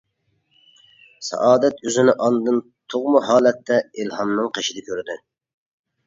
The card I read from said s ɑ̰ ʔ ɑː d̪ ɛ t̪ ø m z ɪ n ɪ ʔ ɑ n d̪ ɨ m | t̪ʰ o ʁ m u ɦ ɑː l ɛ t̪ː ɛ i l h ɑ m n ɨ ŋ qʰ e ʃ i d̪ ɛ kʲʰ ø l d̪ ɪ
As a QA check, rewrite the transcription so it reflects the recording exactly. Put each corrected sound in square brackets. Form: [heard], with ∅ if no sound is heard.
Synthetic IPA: s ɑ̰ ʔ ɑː d̪ ɛ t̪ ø [∅] z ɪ n ɪ ʔ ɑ n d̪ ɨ [n] | t̪ʰ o ʁ m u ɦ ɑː l ɛ t̪ː ɛ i l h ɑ m n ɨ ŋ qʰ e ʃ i d̪ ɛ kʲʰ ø [ɾ] d̪ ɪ